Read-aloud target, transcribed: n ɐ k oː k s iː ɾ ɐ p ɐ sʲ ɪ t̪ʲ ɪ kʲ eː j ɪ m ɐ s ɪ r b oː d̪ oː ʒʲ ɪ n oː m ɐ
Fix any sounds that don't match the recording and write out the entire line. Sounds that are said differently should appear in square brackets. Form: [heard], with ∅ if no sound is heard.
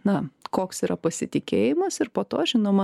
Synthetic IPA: n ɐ k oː k s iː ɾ ɐ p ɐ sʲ ɪ t̪ʲ ɪ kʲ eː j ɪ m ɐ s ɪ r [p] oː [t̪] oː ʒʲ ɪ n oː m ɐ